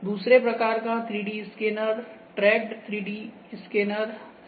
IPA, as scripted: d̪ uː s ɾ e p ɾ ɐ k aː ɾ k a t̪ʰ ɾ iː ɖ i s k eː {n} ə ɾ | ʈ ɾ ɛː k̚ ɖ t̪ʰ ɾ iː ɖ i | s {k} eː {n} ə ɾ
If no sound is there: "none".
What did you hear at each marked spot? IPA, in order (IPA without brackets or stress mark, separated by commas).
n, k, n